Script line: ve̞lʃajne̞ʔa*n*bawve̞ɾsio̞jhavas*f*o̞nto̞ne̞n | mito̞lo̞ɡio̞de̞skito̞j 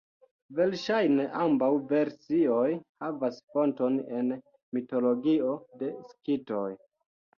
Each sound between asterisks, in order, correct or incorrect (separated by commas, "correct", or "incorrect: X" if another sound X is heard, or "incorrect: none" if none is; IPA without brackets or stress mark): incorrect: m, correct